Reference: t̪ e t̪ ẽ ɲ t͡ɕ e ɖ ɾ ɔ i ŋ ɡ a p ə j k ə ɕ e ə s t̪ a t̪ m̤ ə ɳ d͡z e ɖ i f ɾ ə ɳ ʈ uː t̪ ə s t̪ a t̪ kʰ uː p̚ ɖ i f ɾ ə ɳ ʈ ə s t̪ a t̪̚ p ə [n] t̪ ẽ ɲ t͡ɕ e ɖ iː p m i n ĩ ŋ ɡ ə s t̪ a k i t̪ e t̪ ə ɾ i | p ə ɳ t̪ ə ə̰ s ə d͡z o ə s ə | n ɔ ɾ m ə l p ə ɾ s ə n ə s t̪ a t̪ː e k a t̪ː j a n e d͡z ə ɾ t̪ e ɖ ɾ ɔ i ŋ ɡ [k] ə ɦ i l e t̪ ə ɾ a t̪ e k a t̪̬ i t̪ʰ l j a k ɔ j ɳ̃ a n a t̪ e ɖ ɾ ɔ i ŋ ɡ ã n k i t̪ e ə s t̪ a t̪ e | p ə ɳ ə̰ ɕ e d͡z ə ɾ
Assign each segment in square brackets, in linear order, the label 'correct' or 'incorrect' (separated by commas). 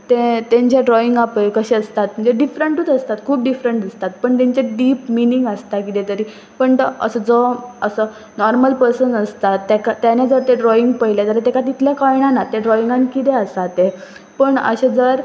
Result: incorrect, incorrect